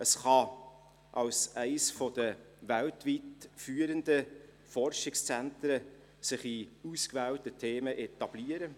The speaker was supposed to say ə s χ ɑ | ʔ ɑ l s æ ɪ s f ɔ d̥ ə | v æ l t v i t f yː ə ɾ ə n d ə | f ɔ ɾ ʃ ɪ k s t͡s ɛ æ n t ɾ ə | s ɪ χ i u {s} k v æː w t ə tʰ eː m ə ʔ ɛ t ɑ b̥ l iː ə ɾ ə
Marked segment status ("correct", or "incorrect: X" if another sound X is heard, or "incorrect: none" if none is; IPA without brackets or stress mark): correct